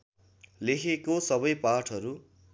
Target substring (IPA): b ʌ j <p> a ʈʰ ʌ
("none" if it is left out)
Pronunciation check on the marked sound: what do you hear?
p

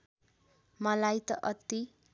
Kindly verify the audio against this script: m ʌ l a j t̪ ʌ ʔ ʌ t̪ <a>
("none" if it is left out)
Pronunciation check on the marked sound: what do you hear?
i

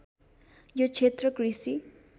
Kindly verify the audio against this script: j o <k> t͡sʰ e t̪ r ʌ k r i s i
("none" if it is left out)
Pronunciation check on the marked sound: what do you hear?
none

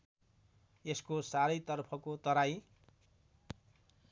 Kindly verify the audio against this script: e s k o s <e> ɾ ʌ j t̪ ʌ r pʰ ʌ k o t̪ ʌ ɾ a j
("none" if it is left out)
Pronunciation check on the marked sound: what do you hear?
a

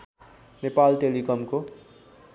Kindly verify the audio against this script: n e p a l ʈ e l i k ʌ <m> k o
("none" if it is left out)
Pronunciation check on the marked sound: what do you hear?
m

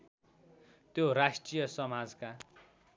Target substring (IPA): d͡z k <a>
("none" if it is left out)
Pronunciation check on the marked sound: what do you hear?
a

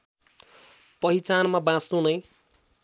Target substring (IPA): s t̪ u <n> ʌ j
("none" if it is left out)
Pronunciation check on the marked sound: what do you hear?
n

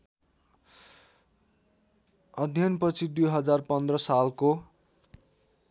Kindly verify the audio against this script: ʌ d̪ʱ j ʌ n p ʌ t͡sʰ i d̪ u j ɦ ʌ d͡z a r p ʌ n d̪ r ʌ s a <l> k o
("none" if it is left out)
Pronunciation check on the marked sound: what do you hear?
l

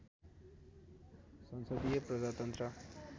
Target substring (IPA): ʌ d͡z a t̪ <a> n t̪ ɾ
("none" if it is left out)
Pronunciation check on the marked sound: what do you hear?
ʌ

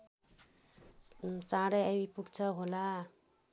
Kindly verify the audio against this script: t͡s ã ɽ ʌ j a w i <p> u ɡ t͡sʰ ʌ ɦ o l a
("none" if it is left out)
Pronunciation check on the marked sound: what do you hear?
p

